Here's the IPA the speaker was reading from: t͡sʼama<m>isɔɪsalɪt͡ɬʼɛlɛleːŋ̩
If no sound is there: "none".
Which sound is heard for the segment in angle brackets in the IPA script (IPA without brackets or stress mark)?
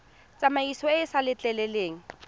none